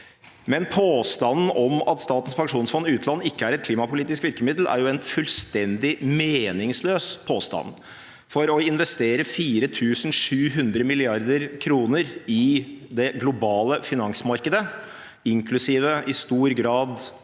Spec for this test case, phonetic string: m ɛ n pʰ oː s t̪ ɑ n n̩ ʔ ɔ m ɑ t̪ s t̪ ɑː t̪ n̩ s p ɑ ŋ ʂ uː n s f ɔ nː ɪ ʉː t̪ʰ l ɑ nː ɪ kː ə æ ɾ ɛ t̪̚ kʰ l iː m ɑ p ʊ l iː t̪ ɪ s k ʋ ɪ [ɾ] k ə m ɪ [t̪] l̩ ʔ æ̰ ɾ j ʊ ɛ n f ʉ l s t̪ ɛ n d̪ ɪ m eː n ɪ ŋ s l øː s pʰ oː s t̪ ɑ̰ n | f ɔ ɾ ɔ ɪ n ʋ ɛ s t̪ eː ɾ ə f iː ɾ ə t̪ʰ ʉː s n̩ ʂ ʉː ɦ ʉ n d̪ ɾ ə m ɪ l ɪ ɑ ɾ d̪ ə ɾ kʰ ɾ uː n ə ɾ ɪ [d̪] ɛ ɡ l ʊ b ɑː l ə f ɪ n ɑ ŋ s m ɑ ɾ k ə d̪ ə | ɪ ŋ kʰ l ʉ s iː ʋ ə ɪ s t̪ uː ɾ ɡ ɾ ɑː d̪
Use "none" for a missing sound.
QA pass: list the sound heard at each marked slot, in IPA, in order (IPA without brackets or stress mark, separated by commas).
ɾ, d̪, d̪